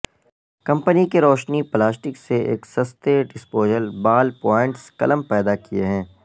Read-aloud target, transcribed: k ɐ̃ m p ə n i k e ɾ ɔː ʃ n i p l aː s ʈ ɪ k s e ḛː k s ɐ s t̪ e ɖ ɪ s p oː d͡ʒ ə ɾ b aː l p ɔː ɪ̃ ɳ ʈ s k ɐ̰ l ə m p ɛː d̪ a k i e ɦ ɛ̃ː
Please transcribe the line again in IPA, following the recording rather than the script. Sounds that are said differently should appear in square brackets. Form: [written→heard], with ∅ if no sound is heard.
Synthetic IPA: k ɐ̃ m p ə n i k e ɾ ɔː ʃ n i p l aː s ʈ ɪ k s e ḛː k s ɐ s t̪ e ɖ ɪ s p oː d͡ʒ ə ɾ b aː l p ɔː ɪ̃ ɳ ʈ s k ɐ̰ l ə m p ɛː d̪ a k i e ɦ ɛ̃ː